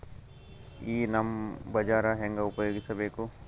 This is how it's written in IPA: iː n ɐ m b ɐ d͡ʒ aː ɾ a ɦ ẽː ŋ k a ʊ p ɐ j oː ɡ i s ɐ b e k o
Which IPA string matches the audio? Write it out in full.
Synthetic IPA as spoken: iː n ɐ m b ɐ d͡ʒ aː ɾ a ɦ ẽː ŋ ɡ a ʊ p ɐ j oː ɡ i s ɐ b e k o